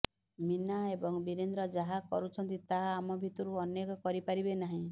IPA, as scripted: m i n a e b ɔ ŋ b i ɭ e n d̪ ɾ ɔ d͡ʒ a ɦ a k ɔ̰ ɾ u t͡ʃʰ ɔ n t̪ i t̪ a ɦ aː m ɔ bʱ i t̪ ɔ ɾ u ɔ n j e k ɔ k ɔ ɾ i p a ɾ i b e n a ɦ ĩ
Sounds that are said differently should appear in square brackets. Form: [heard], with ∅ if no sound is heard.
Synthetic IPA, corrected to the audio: m i n a e b ɔ ŋ b i [ɾ] e n d̪ ɾ ɔ d͡ʒ a ɦ a k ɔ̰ ɾ u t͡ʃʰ ɔ n t̪ i t̪ a ɦ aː m ɔ bʱ i t̪ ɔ ɾ u ɔ n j e k ɔ k ɔ ɾ i p a ɾ i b e n a ɦ ĩ